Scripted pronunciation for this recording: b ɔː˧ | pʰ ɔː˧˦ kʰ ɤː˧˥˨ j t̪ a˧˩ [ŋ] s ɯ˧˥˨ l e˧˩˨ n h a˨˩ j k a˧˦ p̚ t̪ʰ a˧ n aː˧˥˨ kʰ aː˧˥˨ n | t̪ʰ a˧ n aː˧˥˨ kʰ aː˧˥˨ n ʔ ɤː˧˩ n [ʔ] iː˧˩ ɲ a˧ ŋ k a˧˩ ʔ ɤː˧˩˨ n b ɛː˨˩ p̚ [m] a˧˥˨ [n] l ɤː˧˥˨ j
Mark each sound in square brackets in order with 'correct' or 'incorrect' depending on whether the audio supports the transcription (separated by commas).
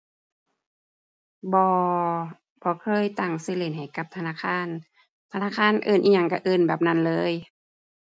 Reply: correct, correct, incorrect, correct